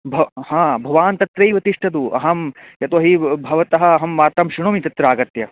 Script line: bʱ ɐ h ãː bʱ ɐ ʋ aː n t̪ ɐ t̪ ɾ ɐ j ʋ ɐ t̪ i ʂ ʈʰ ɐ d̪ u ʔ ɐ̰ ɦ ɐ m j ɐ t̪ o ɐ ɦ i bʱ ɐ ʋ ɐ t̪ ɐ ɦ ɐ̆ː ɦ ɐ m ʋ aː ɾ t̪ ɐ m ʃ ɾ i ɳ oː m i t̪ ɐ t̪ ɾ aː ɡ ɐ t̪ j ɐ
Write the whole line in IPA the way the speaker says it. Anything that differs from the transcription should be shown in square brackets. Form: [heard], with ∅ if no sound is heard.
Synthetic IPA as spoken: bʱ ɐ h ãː bʱ ɐ ʋ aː n t̪ ɐ t̪ ɾ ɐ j ʋ ɐ t̪ i ʂ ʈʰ ɐ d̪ u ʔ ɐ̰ ɦ ɐ m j ɐ t̪ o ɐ ɦ i bʱ ɐ ʋ ɐ t̪ ɐ ɦ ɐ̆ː ɦ ɐ m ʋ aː ɾ t̪ ɐ m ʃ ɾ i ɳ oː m i t̪ ɐ t̪ ɾ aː ɡ ɐ t̪ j ɐ